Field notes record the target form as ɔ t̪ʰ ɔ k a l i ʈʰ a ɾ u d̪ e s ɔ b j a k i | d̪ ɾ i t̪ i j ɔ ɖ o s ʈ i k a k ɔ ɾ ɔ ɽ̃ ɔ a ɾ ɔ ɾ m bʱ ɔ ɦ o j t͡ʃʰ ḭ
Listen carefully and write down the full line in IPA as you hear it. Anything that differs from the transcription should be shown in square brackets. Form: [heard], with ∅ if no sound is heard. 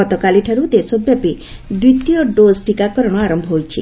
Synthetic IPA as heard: ɔ [t̪] ɔ k a l i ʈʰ a ɾ u d̪ e s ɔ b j a [p] i | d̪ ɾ i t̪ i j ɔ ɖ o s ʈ i k a k ɔ ɾ ɔ ɽ̃ ɔ a ɾ ɔ [∅] m bʱ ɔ ɦ o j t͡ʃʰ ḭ